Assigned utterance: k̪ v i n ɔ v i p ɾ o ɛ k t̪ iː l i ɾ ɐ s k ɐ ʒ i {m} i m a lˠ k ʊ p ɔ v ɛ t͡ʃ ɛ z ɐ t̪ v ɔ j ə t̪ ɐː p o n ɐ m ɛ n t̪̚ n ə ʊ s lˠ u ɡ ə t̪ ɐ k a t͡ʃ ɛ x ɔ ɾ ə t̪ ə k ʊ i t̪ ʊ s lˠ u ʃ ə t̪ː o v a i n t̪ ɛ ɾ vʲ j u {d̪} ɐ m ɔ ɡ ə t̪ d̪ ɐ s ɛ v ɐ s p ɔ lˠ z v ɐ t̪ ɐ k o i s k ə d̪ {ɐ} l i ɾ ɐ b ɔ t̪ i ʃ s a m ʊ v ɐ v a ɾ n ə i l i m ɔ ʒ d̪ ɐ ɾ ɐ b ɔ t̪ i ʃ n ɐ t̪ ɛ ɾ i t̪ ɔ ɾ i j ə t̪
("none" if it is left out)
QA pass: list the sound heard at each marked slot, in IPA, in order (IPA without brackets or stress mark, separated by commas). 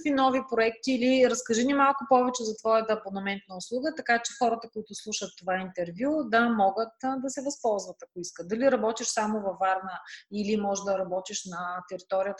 n, d̪, ɐ